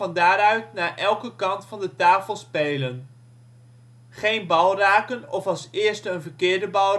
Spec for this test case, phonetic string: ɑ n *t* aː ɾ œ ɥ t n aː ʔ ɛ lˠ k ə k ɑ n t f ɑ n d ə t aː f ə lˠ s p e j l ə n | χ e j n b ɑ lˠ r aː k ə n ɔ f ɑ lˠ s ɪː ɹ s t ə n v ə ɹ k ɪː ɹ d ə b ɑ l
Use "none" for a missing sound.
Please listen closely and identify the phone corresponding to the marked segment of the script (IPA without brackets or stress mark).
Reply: d